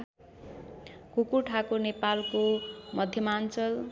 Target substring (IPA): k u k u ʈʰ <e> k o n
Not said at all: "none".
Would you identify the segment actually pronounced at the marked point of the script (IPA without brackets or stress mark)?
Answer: a